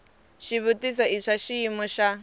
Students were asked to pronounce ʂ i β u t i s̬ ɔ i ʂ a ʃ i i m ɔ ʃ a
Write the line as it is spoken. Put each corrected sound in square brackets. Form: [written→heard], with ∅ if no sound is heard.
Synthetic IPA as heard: [ʂ→ʃ] i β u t i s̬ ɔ i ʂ a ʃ i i m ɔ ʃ a